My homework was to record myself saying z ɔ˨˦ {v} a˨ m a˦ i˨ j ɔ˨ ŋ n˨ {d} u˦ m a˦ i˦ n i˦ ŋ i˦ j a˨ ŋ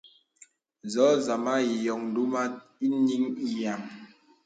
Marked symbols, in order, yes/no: no, yes

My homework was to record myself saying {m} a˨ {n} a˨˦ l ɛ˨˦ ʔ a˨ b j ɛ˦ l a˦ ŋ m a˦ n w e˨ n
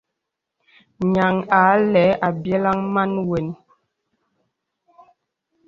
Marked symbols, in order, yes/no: no, no

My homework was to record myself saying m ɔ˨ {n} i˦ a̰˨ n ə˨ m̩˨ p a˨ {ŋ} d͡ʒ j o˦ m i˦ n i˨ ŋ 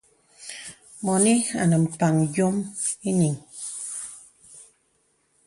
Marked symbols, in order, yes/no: yes, yes

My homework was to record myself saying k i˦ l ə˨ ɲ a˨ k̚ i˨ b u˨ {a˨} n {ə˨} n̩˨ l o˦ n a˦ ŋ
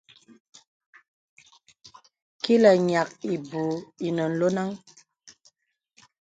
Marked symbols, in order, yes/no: no, yes

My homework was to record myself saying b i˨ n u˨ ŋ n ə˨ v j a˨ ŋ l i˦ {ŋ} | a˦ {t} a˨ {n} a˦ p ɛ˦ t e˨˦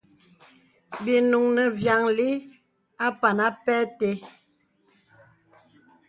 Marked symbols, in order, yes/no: no, no, yes

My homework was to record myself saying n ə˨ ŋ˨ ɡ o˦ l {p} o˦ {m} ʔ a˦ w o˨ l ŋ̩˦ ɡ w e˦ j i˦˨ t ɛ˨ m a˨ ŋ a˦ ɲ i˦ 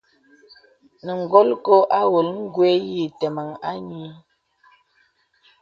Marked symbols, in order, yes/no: no, no

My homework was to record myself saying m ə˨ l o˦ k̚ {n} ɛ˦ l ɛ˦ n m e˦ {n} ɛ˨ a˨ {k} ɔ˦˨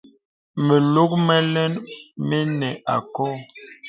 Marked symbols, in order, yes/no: no, yes, yes

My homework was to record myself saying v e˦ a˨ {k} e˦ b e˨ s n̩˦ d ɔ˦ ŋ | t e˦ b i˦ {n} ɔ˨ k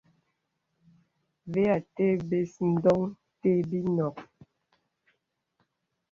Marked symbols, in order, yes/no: no, yes

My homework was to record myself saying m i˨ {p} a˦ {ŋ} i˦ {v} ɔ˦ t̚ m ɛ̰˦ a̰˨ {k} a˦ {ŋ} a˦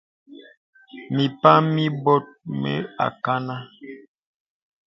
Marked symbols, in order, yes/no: yes, no, no, yes, no

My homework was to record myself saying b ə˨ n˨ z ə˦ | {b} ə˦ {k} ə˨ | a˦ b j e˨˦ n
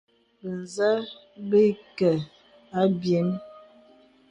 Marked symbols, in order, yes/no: yes, yes

